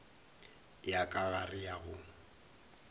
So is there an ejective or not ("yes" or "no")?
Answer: yes